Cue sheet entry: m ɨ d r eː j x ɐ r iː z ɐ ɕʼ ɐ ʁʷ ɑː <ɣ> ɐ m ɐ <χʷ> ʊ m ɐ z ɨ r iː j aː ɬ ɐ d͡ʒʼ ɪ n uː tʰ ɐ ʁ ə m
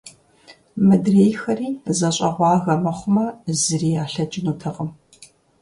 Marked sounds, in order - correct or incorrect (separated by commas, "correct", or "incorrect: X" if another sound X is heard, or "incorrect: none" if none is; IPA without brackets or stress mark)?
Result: correct, correct